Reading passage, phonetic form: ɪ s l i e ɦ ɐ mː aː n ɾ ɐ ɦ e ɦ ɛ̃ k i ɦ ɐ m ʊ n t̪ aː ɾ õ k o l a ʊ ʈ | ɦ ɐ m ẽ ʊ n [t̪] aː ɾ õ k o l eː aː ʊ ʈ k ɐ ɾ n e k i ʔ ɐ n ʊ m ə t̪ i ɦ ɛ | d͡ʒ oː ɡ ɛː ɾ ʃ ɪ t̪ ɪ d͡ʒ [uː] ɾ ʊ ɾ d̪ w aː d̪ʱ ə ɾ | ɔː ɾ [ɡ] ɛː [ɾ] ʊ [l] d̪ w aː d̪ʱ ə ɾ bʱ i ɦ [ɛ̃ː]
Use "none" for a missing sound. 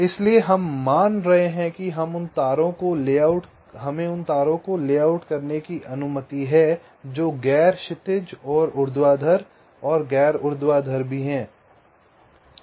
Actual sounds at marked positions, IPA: t̪, ɔː, ɡ, ɾ, ɾ, ɛ̃ː

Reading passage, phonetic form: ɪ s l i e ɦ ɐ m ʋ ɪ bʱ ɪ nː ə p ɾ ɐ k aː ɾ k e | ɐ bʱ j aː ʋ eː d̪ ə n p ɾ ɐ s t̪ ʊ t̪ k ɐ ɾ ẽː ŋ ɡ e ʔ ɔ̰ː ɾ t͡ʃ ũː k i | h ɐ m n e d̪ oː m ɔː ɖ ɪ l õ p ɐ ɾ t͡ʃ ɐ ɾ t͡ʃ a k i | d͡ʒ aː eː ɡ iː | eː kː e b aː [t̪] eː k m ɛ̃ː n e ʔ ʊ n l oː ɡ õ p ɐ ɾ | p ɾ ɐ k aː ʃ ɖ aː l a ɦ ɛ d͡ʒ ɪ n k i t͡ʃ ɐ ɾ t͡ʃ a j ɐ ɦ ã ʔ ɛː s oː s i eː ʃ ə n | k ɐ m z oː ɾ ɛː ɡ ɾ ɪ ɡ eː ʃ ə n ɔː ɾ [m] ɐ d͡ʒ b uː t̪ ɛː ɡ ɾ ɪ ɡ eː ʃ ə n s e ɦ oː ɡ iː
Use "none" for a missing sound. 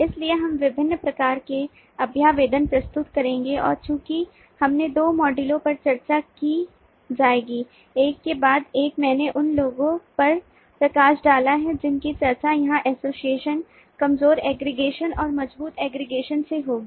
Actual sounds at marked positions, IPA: d̪, m

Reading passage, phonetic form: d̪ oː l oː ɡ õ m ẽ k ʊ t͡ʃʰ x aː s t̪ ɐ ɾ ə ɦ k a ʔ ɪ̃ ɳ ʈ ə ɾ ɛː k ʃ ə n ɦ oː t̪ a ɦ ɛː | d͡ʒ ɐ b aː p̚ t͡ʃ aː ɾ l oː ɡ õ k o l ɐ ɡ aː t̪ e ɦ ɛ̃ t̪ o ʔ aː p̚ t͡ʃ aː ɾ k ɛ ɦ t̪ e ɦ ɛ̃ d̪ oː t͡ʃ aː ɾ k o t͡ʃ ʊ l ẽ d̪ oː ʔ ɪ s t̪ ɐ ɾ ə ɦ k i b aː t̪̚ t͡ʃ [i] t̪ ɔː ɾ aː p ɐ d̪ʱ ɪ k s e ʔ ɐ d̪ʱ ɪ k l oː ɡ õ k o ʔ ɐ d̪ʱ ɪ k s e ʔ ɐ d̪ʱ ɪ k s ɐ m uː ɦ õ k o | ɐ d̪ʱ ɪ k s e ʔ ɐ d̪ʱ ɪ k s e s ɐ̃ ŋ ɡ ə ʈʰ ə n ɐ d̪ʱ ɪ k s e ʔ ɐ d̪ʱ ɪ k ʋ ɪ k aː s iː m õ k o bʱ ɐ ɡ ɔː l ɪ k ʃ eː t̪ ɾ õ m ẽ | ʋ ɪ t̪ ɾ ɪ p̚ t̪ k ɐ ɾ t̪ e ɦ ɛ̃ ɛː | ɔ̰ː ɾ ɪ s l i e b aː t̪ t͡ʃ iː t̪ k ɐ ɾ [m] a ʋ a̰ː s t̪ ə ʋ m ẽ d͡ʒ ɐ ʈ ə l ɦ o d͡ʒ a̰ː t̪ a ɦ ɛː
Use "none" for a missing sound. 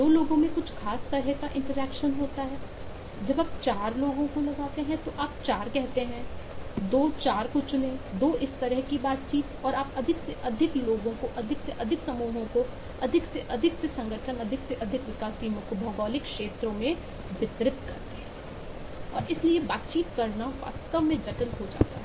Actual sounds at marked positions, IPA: iː, n

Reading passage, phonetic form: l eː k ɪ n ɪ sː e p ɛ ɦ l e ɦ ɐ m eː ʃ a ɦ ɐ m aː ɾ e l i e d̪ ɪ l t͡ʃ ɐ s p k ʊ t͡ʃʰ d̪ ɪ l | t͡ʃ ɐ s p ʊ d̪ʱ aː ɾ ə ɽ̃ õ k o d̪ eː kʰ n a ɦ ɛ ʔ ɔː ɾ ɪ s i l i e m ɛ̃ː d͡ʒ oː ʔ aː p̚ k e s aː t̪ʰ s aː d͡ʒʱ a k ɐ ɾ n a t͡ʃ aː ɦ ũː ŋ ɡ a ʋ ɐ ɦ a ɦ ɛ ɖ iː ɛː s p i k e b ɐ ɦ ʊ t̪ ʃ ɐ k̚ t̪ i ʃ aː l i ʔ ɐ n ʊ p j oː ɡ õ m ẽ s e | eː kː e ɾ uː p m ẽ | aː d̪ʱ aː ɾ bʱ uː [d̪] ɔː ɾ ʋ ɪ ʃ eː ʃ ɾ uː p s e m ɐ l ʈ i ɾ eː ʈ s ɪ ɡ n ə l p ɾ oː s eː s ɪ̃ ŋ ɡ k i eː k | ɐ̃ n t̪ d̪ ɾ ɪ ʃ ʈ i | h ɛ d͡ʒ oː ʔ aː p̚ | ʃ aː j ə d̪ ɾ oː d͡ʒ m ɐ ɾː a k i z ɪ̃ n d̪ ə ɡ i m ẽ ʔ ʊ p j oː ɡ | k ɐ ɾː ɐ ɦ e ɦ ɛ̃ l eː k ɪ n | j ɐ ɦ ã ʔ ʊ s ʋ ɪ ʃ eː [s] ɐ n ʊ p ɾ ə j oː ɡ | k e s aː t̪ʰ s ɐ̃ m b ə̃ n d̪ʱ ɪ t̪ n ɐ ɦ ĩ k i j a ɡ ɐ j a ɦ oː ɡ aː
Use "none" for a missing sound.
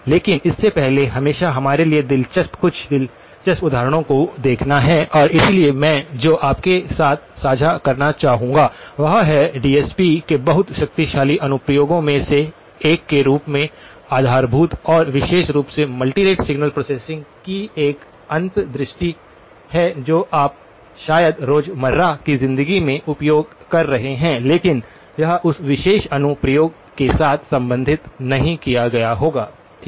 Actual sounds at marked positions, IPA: t̪, ʃ

